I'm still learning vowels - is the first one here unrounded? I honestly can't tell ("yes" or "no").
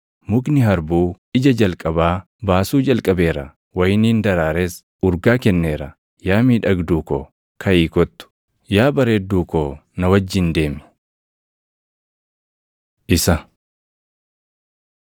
no